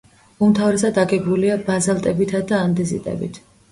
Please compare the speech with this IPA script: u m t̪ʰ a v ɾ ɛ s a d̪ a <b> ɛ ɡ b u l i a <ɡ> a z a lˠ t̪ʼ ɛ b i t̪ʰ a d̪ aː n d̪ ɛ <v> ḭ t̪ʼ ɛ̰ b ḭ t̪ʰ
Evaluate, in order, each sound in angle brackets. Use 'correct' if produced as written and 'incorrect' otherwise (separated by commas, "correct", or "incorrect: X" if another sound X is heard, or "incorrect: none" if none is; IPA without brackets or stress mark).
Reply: incorrect: ɡ, incorrect: b, incorrect: z